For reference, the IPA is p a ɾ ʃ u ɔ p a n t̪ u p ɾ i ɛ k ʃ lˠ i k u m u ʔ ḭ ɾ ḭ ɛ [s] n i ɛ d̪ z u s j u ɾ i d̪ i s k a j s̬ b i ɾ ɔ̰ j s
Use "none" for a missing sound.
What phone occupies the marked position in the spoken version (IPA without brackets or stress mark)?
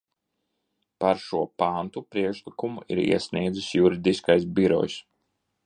s